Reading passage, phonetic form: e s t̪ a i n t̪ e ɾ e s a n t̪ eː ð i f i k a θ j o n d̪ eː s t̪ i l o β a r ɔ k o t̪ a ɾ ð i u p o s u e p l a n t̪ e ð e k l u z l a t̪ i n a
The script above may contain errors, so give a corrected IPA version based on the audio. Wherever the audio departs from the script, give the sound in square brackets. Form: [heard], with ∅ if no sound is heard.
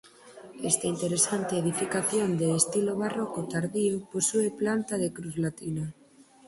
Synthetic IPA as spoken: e s t̪ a i n t̪ e ɾ e s a n t̪ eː ð i f i k a θ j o n d̪ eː s t̪ i l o β a r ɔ k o t̪ a ɾ ð i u p o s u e p l a n t̪ [a] ð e k [ɾ] u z l a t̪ i n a